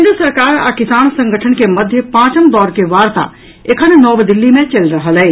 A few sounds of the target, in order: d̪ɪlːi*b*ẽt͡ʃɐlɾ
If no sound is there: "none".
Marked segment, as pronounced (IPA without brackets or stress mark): m